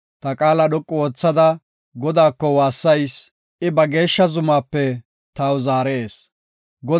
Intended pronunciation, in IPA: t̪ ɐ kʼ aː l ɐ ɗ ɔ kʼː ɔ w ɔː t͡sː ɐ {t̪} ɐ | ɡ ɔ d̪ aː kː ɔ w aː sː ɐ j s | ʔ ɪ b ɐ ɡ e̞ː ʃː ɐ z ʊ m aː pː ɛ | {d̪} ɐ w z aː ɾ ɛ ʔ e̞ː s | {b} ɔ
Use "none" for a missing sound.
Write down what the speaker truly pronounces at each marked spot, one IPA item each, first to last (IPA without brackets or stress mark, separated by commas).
d̪, t̪, ɡ